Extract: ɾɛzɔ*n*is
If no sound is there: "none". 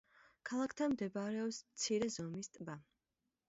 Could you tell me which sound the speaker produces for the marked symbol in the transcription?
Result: m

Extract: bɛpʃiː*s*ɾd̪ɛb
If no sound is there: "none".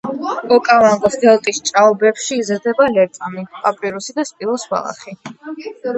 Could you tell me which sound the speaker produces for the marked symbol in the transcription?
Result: z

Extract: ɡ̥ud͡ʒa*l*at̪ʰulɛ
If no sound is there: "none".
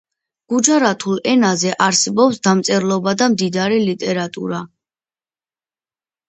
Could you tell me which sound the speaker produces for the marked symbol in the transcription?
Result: ɾ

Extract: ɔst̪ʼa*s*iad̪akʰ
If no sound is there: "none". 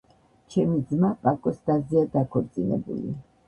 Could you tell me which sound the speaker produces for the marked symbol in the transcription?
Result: z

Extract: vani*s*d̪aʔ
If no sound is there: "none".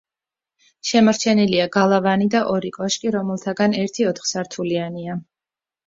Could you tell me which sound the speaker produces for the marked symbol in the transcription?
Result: none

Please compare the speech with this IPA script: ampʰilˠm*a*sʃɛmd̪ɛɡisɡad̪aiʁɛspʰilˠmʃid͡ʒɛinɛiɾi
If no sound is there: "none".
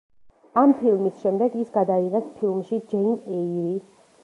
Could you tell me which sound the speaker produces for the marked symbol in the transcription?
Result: i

